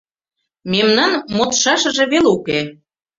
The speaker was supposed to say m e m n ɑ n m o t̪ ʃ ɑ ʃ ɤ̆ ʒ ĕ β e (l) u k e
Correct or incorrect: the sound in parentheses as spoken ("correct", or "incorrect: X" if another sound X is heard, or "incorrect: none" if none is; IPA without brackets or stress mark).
correct